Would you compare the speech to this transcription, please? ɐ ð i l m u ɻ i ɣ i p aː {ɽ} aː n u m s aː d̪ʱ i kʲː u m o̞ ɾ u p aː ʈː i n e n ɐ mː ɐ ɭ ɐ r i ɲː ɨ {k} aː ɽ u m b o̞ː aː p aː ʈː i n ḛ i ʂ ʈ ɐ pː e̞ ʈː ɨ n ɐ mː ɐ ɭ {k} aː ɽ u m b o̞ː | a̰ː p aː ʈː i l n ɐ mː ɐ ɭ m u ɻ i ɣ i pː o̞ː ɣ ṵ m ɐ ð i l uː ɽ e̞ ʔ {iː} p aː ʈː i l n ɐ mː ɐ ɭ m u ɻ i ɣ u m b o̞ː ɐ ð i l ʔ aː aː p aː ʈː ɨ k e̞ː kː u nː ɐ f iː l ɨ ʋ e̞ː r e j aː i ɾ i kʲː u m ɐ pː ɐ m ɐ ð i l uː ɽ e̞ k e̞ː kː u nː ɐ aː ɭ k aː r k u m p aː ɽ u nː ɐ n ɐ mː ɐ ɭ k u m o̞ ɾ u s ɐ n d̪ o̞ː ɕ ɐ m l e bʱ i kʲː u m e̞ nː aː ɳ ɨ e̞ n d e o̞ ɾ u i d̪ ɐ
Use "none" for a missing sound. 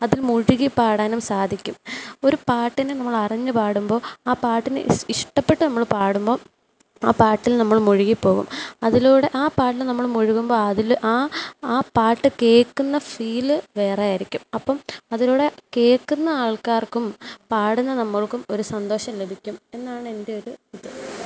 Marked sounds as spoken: ɽ, p, p, aː

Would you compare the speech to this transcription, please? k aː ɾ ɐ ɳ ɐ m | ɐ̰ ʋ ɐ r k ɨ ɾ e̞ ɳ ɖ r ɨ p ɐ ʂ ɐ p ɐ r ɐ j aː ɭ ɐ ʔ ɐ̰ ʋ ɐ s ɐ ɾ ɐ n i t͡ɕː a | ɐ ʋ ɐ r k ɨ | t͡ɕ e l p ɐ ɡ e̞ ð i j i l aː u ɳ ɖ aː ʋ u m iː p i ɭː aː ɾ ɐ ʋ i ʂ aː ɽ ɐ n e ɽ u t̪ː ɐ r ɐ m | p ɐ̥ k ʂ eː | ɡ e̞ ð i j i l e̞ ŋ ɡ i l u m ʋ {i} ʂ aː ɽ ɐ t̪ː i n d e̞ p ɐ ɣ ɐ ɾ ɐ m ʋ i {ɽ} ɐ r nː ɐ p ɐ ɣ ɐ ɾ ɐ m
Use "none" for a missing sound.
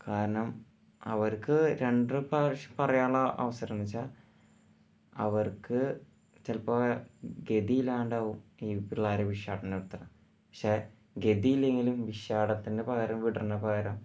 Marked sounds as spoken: i, ɽ

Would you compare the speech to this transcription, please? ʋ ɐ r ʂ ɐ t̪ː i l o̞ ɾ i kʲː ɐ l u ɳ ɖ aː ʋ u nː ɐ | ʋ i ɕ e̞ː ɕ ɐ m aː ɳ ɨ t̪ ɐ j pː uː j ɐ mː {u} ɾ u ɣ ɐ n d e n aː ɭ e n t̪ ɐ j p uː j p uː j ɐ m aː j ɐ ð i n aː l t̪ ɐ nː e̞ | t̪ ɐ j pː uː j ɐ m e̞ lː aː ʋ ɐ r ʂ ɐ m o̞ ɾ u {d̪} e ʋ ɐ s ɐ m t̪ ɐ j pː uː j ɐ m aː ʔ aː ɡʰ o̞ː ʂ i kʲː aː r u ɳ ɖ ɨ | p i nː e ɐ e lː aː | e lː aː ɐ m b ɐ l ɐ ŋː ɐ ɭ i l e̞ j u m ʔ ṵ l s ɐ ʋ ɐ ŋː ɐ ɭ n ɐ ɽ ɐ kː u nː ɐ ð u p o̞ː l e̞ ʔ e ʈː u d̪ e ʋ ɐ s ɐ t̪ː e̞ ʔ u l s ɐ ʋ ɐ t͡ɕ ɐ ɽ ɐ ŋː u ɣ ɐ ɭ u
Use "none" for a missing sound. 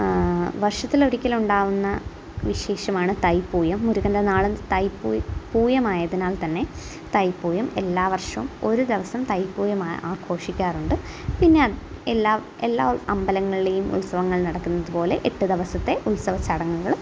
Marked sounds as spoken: u, d̪

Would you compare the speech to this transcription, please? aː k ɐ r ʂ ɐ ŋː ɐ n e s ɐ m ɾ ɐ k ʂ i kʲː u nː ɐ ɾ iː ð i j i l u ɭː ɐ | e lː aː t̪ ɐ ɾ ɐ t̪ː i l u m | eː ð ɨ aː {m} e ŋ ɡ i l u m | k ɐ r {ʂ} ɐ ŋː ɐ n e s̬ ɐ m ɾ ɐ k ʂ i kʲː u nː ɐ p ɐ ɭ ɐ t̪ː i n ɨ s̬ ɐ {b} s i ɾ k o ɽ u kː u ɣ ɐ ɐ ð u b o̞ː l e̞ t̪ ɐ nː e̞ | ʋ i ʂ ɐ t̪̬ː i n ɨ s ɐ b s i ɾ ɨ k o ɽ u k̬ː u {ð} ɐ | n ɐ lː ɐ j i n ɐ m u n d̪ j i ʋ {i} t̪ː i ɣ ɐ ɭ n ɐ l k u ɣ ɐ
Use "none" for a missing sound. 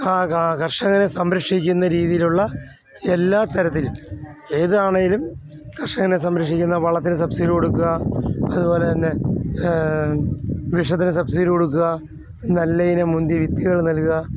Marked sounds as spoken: ɳ, ʂ, b, ɣ, i

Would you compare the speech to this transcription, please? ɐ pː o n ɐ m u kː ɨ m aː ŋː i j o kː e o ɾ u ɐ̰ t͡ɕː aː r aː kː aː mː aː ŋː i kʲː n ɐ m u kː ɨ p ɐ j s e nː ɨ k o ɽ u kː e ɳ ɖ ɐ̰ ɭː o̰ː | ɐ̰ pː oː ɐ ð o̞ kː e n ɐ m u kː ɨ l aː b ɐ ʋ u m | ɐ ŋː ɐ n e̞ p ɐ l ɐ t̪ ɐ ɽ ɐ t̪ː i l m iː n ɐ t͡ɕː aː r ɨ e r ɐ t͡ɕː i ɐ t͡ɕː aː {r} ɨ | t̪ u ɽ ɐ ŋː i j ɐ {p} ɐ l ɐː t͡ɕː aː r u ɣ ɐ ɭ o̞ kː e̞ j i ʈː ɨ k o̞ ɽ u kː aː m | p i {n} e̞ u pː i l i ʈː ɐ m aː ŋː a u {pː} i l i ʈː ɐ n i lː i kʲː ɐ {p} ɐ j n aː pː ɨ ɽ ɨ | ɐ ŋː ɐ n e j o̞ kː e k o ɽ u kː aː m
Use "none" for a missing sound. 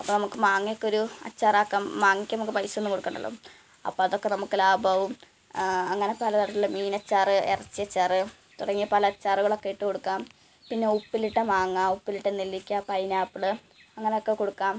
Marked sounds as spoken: r, p, nː, pː, p

